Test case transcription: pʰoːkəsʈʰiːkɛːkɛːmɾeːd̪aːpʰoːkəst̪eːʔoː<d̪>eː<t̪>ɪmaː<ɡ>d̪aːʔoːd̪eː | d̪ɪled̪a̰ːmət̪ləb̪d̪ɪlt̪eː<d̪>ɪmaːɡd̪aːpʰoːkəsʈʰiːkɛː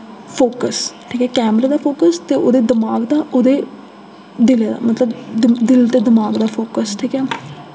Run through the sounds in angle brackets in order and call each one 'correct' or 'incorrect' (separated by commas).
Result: correct, incorrect, correct, correct